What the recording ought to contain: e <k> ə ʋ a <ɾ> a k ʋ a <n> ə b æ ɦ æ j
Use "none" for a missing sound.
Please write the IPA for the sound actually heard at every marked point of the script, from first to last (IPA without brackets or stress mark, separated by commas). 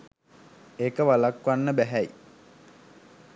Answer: k, l, nː